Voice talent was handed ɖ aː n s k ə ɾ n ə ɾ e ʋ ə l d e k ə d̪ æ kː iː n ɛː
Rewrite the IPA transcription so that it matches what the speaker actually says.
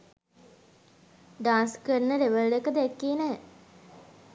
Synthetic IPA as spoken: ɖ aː n s k ə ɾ n ə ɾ e ʋ ə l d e k ə d̪ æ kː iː n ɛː